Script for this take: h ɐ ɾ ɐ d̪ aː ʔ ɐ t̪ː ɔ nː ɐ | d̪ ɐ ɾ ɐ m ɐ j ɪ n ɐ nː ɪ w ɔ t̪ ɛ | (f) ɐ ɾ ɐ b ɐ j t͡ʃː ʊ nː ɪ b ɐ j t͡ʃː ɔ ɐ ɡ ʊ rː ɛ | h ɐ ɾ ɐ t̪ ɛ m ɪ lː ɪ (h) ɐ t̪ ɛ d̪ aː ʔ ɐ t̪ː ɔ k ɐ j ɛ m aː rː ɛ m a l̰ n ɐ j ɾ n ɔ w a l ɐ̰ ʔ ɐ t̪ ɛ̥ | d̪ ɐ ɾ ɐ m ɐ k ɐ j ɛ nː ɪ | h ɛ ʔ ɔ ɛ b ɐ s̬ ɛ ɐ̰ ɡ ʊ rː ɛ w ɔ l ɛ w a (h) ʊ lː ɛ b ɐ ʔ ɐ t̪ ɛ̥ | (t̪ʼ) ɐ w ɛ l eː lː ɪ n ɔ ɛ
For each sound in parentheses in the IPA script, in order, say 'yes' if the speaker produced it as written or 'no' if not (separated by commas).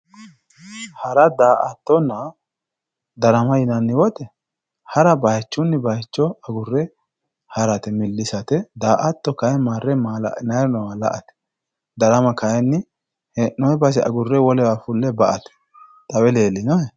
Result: no, no, no, yes